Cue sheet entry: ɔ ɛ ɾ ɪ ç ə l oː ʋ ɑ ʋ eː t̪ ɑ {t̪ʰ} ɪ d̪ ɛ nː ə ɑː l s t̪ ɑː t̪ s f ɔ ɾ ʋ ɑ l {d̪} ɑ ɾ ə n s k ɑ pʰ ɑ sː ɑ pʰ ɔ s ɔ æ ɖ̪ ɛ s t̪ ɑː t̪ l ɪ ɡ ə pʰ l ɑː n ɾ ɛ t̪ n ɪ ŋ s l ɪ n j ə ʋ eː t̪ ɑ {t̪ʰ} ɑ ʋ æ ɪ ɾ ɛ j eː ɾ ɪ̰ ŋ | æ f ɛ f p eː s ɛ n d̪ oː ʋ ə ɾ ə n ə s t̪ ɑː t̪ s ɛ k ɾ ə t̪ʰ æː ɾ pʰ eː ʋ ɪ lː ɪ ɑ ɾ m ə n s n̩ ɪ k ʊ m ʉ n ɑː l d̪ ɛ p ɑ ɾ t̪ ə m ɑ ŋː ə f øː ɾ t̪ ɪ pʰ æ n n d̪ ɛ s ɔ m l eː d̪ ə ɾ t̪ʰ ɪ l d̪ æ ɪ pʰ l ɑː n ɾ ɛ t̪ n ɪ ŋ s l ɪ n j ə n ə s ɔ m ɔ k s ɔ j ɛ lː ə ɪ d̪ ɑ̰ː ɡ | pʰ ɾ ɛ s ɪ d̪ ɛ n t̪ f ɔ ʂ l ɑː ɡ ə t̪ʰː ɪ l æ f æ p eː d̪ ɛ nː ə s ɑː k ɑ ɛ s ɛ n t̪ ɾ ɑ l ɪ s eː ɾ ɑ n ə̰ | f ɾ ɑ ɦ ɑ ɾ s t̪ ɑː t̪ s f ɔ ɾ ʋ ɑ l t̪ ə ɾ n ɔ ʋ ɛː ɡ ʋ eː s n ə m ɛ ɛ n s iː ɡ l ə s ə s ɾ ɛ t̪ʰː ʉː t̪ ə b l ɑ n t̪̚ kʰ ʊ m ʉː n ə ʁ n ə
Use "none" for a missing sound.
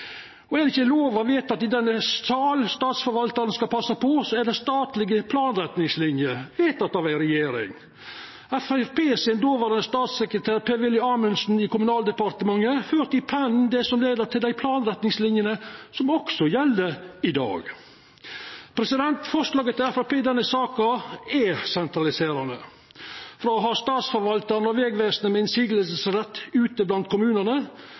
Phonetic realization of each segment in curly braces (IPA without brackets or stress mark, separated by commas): t̪, t̪, t̪